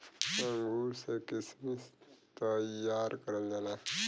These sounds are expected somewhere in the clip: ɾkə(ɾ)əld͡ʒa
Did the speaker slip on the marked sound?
no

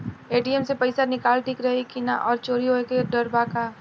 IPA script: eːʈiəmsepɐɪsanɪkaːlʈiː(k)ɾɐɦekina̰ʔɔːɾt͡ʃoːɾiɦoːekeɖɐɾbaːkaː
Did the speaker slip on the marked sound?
no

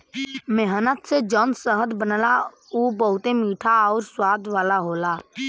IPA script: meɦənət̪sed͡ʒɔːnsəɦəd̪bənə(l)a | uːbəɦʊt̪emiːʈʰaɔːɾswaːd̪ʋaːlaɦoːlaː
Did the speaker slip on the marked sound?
no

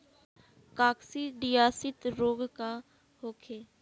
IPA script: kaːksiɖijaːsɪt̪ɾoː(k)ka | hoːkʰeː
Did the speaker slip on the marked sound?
yes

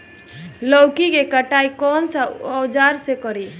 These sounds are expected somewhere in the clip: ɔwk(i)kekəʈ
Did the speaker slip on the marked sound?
no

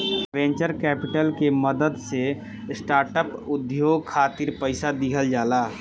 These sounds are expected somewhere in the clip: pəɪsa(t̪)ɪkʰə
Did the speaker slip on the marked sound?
yes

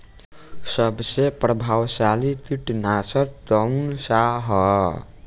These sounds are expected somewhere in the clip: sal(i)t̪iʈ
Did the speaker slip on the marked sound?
no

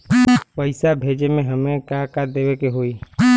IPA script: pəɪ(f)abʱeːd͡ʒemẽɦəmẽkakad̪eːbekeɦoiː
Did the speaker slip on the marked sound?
yes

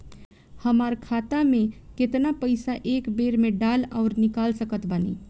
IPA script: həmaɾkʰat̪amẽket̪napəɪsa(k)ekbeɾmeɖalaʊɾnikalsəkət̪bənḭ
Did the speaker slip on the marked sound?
yes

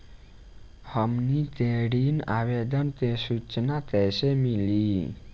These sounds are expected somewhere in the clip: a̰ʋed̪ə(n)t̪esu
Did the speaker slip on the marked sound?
no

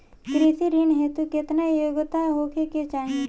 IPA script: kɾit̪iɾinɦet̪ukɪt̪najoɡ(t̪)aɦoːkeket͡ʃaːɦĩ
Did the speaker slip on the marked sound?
no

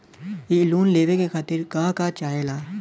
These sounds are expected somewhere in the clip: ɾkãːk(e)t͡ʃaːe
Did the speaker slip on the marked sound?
yes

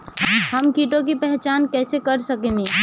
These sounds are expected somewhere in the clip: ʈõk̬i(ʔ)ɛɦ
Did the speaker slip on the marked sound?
yes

